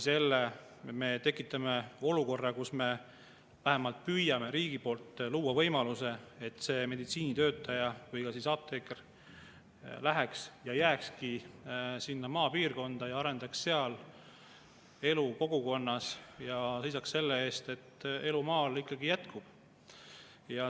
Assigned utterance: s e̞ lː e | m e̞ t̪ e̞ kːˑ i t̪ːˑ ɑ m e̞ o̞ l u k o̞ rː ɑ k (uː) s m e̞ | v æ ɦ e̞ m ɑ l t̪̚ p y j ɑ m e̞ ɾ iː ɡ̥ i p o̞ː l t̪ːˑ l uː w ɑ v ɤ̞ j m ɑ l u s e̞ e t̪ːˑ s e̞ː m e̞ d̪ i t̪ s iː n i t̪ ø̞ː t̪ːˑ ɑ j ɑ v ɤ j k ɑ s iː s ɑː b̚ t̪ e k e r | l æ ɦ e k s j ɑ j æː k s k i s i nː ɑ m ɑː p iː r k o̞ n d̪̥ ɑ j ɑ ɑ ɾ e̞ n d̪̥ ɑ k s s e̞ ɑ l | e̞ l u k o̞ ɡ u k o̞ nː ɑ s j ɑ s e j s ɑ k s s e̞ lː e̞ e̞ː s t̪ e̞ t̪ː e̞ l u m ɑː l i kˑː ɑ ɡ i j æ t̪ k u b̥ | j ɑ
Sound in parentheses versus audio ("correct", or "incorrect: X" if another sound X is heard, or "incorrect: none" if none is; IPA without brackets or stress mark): incorrect: u